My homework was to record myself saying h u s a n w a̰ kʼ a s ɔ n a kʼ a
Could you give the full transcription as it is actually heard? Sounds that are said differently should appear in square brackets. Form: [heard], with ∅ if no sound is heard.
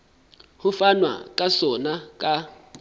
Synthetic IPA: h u [f] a n w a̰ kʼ a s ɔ n a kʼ a